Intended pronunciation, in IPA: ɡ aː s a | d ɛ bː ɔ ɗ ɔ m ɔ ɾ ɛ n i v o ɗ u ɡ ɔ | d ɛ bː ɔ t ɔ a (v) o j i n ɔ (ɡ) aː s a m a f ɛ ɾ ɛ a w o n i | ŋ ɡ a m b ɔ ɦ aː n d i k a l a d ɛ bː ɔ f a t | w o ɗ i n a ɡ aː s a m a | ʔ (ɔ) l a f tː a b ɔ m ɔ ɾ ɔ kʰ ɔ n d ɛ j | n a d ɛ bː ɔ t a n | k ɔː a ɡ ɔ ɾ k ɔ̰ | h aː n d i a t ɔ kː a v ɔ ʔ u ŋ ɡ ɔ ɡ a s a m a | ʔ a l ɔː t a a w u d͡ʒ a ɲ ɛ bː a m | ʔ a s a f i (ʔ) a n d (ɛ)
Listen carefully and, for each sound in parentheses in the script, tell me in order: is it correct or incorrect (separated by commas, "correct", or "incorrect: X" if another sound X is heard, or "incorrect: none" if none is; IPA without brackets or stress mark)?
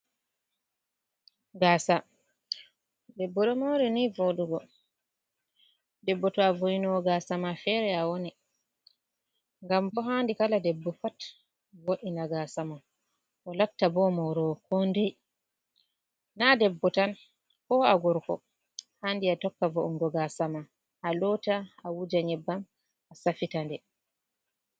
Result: correct, correct, correct, incorrect: t, correct